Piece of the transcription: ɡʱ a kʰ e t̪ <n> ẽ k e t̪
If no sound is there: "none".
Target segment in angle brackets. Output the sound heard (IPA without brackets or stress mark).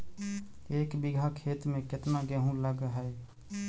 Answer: m